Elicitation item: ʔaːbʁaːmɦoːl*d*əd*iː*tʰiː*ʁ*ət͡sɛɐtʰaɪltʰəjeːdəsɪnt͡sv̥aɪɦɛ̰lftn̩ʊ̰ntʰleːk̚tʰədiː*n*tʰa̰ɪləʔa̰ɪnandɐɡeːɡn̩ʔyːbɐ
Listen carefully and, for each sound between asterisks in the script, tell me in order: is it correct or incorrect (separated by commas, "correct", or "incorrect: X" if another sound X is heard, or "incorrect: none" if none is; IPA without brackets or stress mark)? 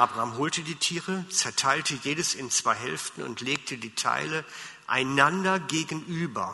incorrect: t, correct, correct, incorrect: none